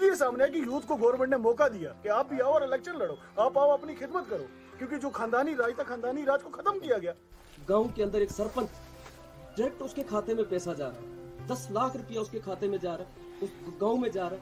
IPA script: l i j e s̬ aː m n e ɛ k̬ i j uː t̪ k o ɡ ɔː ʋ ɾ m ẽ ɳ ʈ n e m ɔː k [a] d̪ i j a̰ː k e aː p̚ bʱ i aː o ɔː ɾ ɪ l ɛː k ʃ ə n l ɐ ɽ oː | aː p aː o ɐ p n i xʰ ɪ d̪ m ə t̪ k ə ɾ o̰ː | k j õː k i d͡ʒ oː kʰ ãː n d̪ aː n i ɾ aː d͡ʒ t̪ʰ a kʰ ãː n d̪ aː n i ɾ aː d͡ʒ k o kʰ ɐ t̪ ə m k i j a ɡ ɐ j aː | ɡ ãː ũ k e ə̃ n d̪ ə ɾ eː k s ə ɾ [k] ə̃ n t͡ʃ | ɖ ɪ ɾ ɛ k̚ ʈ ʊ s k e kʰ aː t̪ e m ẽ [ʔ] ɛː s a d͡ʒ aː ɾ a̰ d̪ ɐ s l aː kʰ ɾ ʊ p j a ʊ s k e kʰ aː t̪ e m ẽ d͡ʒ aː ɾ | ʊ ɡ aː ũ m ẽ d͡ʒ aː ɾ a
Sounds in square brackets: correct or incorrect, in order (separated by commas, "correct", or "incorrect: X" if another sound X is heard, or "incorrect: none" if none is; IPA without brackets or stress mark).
correct, incorrect: p, incorrect: p